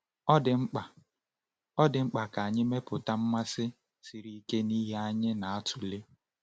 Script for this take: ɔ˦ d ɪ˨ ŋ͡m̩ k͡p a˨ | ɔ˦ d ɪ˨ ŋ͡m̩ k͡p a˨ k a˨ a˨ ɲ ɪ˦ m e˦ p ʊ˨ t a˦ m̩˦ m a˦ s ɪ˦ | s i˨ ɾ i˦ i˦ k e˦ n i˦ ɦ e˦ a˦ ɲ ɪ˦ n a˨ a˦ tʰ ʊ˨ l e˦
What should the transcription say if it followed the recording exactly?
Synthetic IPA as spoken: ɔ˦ d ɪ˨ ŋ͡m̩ k͡p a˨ | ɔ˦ d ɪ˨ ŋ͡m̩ k͡p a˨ k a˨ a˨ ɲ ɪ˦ m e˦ p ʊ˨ t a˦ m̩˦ m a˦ s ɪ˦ | s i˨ ɾ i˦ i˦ k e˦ n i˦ ɦ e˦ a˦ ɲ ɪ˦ n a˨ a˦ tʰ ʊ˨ l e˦